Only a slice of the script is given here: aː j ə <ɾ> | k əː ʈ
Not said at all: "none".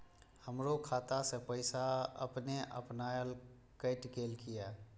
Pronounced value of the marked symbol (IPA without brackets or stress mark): l